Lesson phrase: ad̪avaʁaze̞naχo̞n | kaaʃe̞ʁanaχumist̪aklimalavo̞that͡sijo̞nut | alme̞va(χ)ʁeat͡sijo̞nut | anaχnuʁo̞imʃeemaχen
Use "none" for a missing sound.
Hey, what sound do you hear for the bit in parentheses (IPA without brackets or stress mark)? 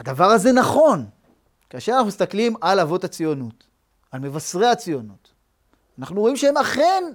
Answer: s